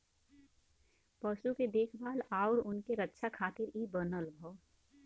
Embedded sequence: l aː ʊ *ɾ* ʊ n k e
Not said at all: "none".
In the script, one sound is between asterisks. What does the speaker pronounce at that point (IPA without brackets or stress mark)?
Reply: ɾ